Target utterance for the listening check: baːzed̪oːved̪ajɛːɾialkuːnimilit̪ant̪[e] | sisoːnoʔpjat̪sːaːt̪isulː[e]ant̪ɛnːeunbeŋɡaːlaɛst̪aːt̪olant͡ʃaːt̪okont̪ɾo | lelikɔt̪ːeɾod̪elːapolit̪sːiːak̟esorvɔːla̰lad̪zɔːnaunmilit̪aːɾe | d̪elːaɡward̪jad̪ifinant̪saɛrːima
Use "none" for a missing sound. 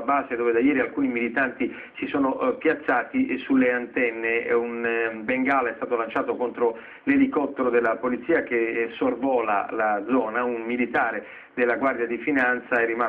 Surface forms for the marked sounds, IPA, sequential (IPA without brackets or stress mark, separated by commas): i, e